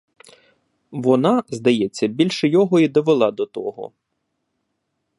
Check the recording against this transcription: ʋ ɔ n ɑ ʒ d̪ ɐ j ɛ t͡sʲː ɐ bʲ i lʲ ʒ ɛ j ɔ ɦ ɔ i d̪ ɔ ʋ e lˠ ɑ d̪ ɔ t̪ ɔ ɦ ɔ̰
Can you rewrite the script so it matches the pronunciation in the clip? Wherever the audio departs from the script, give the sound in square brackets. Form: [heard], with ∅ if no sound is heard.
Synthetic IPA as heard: ʋ ɔ n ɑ [z] d̪ ɐ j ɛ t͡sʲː ɐ bʲ i lʲ [ʃ] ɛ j ɔ ɦ ɔ i d̪ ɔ ʋ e lˠ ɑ d̪ ɔ t̪ ɔ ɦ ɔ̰